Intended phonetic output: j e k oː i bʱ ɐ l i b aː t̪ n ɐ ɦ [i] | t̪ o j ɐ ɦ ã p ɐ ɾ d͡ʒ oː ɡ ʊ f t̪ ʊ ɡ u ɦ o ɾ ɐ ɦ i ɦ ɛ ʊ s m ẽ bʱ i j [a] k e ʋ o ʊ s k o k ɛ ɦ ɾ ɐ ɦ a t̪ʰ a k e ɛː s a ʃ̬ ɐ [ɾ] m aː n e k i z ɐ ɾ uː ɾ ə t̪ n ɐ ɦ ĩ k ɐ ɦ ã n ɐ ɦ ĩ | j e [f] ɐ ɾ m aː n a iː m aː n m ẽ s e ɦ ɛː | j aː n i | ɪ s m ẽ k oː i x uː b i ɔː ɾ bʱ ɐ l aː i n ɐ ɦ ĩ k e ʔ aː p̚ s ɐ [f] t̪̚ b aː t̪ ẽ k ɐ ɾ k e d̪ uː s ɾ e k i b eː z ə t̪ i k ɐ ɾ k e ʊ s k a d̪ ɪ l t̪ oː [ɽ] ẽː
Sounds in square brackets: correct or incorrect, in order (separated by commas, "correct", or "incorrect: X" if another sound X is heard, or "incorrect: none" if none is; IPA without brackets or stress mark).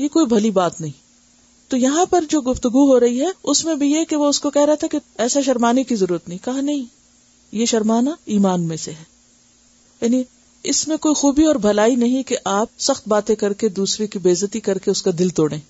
incorrect: ĩ, incorrect: e, correct, incorrect: ʃ, incorrect: x, correct